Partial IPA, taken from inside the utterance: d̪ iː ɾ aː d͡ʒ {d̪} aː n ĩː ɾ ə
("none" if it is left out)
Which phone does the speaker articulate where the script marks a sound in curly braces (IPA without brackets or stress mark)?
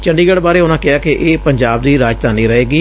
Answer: t̪